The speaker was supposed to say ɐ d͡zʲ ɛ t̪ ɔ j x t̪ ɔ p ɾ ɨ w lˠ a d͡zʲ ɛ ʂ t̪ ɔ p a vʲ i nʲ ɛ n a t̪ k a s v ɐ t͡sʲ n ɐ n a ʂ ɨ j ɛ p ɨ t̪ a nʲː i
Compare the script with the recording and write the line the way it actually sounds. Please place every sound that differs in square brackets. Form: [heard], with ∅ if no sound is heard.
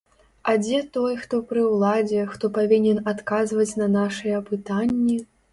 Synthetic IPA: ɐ d͡zʲ ɛ t̪ ɔ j x t̪ ɔ p ɾ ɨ w lˠ a d͡zʲ ɛ [x] t̪ ɔ p a vʲ i nʲ ɛ n a t̪ k a [z] v ɐ t͡sʲ n ɐ n a ʂ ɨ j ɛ p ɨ t̪ a nʲː i